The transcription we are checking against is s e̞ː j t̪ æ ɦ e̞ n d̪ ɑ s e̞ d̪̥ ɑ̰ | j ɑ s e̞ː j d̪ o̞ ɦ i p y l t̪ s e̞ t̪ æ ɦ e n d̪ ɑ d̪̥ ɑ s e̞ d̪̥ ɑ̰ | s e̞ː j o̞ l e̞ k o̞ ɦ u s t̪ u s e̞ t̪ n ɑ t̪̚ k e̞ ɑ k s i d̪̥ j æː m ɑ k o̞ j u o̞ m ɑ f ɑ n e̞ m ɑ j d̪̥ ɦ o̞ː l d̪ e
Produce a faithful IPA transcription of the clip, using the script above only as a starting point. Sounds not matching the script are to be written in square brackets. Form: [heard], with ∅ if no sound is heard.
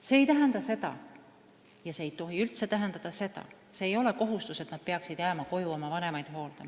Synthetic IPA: s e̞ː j t̪ æ ɦ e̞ n d̪ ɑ s e̞ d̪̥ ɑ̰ | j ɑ s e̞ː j [t̪] o̞ ɦ i [∅] y l t̪ s e̞ t̪ æ ɦ e n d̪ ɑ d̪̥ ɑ s e̞ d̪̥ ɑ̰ | s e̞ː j o̞ l e̞ k o̞ ɦ u s t̪ u s e̞ t̪ n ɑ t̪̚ [p] e̞ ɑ k s i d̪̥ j æː m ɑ k o̞ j u o̞ m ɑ [v] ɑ n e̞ m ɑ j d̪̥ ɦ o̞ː l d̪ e